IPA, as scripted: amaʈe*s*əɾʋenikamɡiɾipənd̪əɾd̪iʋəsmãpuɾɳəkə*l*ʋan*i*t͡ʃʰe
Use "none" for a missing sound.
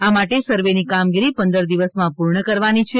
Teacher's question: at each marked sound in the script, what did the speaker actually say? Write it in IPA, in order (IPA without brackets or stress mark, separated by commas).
s, ɾ, i